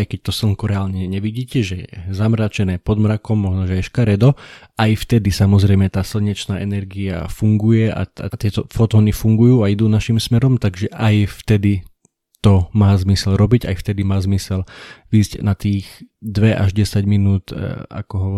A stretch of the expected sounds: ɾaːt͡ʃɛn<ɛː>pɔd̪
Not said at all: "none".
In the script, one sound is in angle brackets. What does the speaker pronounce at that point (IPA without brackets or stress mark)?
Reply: ɛː